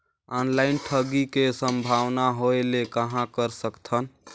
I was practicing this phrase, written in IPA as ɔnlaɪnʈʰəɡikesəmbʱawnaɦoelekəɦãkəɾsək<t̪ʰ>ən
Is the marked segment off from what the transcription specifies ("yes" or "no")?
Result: no